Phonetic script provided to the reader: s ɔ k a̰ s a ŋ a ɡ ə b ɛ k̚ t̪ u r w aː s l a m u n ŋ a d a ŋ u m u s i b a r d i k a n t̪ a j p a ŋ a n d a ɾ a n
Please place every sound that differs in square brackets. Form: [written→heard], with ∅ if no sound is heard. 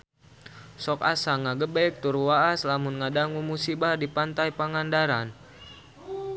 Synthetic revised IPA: s ɔ k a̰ s a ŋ a ɡ ə b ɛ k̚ t̪ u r w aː s l a m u n ŋ a d a ŋ u m u s i b a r d i [k→p] a n t̪ a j p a ŋ a n d a ɾ a n